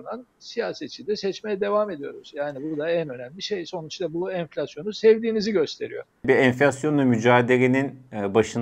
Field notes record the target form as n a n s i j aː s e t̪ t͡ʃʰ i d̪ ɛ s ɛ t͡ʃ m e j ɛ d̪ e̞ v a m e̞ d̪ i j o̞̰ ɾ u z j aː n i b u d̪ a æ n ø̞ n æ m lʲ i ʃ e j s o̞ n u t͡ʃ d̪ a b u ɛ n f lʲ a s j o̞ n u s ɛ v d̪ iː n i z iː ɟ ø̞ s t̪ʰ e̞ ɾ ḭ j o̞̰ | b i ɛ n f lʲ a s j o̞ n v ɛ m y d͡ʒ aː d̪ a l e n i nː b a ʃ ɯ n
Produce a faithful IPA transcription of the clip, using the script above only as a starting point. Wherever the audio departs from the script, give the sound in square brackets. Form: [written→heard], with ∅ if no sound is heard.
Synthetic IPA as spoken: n a n s i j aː s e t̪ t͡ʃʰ i d̪ ɛ s ɛ t͡ʃ m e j ɛ d̪ e̞ v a m e̞ d̪ i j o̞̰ ɾ u z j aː n i b u d̪ a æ n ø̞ n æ m lʲ i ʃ e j s o̞ n u t͡ʃ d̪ a b u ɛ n f lʲ a s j o̞ n u s ɛ v d̪ iː n i z [iː→i] ɟ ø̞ s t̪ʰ e̞ ɾ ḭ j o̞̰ | b i ɛ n f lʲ a s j o̞ n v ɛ m y d͡ʒ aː d̪ [a→e] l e n i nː b a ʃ ɯ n